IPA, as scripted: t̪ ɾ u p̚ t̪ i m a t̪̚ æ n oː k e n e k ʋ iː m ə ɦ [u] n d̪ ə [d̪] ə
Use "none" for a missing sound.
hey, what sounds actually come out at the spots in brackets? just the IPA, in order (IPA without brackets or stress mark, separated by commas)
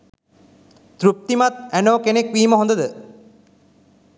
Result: o, d̪